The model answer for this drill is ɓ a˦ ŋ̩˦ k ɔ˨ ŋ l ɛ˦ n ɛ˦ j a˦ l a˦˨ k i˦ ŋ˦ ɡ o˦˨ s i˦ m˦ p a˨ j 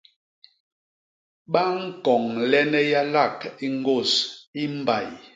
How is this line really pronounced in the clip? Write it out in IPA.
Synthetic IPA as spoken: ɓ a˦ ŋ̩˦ k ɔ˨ ŋ l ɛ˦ n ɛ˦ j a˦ l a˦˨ k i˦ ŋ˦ ɡ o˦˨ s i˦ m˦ b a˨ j